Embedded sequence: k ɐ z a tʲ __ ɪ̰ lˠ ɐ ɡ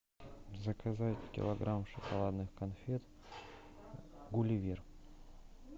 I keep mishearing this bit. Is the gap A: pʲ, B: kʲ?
B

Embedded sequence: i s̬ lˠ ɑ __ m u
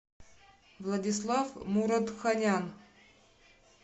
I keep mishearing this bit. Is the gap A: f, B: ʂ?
A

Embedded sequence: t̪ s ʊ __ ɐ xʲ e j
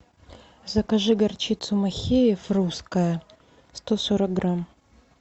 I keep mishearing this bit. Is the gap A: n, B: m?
B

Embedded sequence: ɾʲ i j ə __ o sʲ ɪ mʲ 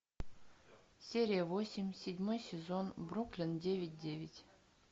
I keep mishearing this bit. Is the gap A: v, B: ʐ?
A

